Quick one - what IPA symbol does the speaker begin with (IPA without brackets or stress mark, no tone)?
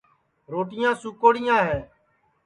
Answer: ɾ